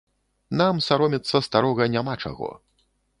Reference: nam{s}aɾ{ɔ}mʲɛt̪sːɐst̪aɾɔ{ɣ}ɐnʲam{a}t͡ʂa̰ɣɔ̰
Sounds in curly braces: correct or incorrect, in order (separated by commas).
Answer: correct, correct, correct, correct